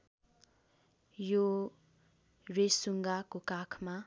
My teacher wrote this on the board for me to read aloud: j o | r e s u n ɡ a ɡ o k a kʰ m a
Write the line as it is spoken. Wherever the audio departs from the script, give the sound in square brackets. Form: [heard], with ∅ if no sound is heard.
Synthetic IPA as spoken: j o | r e s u [ŋ] ɡ a [k] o k a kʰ m a